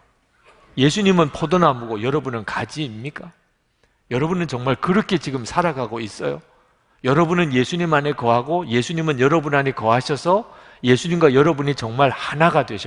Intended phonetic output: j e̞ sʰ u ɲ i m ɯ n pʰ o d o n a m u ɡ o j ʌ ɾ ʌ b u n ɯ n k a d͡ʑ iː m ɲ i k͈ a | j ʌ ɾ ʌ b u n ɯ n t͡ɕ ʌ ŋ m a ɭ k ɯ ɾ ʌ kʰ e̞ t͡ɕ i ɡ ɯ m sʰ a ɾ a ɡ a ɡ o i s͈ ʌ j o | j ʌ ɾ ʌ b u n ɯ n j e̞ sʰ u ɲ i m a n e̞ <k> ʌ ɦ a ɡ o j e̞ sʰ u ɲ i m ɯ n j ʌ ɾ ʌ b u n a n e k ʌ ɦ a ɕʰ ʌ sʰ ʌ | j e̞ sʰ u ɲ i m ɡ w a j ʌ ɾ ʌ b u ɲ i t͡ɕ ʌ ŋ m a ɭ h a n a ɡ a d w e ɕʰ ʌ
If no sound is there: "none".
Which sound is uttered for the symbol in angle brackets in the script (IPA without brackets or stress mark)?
k